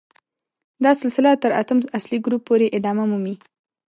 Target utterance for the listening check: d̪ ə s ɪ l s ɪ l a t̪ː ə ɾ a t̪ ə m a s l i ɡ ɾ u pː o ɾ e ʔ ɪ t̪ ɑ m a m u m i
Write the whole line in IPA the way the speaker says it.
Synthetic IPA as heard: d̪ ɑ s ɪ l s ɪ l a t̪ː ə ɾ a t̪ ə m a s l i ɡ ɾ u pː o ɾ e ʔ ɪ d̪ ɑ m a m u m i